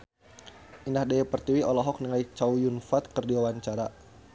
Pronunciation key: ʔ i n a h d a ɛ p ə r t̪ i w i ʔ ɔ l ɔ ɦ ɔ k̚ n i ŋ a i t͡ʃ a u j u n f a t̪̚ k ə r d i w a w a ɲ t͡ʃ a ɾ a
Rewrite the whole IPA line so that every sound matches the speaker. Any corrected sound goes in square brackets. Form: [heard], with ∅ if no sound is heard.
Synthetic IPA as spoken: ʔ i n a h d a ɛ p ə r t̪ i w i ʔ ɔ l ɔ ɦ ɔ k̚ n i ŋ a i t͡ʃ a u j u n f a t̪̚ k ə r d i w a w a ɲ t͡ʃ a ɾ a